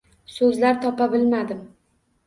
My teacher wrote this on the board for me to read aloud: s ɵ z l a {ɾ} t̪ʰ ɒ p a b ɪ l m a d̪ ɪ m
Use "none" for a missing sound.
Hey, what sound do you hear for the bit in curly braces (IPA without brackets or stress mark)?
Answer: ɾ